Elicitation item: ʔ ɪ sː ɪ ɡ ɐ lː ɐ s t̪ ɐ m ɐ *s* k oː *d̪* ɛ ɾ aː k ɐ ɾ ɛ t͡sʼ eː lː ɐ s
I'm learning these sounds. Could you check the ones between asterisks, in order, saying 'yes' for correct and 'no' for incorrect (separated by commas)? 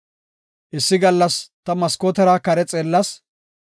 yes, no